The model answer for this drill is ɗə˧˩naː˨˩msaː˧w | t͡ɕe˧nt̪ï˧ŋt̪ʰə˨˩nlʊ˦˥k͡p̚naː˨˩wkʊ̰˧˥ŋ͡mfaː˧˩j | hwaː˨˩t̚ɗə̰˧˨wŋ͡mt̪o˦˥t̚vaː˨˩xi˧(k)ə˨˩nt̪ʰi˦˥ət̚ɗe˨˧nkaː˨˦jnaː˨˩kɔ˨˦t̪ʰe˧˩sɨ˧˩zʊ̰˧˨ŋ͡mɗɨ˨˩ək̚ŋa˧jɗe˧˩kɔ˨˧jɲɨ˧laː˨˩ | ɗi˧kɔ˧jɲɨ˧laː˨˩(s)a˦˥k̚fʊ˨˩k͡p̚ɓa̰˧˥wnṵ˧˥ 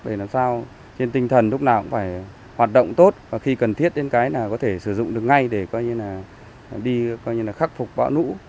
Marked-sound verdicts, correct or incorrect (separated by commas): correct, incorrect